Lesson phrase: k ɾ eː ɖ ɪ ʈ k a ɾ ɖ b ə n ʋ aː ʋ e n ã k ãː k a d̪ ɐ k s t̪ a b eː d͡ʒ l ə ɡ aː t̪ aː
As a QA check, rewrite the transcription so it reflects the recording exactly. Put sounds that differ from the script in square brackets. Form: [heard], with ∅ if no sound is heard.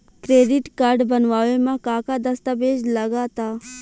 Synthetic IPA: k ɾ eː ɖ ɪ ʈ k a ɾ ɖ b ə n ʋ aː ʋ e [m] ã k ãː k a d̪ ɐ [∅] s t̪ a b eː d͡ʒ l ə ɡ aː t̪ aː